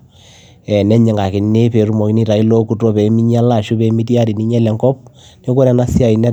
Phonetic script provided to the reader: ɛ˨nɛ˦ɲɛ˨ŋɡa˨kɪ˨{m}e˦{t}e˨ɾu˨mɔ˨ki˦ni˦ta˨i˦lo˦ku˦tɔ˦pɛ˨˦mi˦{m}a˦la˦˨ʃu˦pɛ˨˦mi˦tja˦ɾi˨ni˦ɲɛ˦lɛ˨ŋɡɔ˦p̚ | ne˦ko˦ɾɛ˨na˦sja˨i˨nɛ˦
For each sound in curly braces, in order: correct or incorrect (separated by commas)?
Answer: incorrect, incorrect, incorrect